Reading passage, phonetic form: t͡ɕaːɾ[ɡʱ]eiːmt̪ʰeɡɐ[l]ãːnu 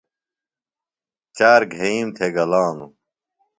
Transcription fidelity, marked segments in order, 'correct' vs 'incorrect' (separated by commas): correct, correct